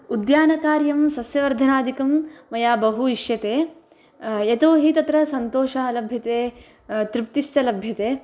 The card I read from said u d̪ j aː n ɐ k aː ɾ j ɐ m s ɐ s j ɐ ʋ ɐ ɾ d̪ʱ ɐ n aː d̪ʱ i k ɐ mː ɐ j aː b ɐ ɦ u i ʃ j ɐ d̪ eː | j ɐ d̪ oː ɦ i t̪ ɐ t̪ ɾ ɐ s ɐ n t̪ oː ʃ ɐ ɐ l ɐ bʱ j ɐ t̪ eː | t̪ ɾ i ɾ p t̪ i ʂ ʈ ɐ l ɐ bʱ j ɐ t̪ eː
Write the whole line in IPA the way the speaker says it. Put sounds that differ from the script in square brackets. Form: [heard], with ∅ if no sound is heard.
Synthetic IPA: u d̪ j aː n ɐ k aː ɾ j ɐ m s ɐ s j ɐ ʋ ɐ ɾ d̪ʱ ɐ n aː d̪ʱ i k ɐ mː ɐ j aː b ɐ ɦ u i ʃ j ɐ [t̪] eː | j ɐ [t̪] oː ɦ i t̪ ɐ t̪ ɾ ɐ s ɐ n t̪ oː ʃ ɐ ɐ l ɐ bʱ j ɐ t̪ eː | t̪ ɾ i [∅] p t̪ i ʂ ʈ ɐ l ɐ bʱ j ɐ t̪ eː